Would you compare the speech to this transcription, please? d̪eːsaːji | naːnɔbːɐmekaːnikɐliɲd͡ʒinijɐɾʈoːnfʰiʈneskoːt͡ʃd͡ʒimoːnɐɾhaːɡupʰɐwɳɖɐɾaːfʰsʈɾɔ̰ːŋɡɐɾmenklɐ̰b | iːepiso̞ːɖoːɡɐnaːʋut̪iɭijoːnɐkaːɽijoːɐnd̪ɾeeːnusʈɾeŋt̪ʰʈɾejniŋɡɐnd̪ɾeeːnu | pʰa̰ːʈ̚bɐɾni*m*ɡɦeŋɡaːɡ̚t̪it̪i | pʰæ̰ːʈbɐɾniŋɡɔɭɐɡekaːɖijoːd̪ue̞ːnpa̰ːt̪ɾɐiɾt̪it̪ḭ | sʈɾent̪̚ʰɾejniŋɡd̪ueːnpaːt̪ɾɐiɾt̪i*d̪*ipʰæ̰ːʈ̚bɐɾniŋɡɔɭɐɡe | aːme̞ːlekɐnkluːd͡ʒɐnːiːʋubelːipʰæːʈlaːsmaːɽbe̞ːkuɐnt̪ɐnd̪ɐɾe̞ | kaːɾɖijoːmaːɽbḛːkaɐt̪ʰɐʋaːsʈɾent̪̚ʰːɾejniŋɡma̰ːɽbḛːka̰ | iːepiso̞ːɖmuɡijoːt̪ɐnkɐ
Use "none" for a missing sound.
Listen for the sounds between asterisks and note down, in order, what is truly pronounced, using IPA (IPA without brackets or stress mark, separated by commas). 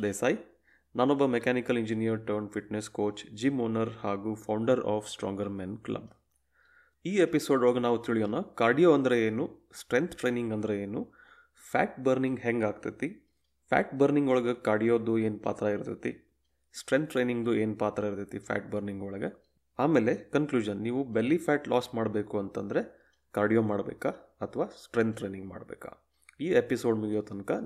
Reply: ŋ, t̪